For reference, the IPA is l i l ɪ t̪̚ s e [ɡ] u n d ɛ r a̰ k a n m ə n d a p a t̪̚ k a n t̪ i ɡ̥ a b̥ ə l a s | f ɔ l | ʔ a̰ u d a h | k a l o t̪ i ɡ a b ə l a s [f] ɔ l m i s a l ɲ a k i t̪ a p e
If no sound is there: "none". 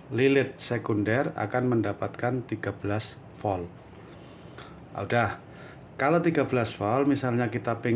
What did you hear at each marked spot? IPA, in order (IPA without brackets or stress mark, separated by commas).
k, f